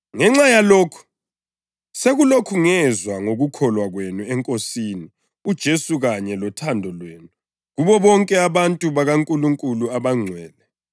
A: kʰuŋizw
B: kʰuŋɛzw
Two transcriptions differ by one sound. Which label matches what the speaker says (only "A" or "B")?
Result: B